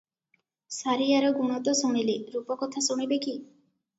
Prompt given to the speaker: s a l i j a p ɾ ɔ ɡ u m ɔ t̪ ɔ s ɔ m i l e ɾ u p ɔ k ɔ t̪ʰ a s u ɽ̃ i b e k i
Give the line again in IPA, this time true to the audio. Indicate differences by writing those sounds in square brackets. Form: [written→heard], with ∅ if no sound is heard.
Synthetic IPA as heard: s a [l→ɾ] i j a [p→∅] ɾ ɔ ɡ u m ɔ t̪ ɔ s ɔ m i l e ɾ u p ɔ k ɔ t̪ʰ a s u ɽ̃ i b e k i